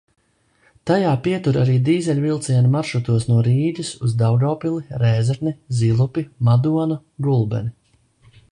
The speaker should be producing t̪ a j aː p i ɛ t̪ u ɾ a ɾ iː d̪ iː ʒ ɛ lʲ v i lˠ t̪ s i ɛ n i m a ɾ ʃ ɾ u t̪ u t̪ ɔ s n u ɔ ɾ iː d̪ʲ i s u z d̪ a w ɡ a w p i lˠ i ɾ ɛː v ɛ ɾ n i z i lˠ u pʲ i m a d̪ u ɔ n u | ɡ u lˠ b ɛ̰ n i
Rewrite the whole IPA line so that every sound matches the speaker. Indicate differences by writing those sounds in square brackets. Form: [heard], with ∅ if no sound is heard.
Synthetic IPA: t̪ a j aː p i ɛ t̪ u ɾ a ɾ iː d̪ iː [z] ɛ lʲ v i lˠ t̪ s i ɛ n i m a ɾ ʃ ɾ u t̪ u [∅] ɔ s n u ɔ ɾ iː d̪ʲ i s u z d̪ a w ɡ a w p i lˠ i ɾ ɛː [z] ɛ ɾ n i z i lˠ u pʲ i m a d̪ u ɔ n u | ɡ u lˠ b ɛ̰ n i